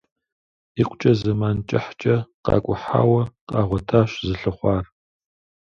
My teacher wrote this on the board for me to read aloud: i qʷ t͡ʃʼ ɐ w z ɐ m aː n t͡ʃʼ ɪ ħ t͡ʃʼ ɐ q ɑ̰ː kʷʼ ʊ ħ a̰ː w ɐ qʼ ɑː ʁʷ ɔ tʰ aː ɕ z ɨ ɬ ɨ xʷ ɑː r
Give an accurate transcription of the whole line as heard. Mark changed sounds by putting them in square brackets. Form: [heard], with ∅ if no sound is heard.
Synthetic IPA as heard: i qʷ t͡ʃʼ ɐ [∅] z ɐ m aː n t͡ʃʼ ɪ ħ t͡ʃʼ ɐ q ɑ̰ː kʷʼ ʊ ħ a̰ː w ɐ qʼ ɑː ʁʷ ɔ tʰ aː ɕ z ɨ ɬ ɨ [χʷ] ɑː r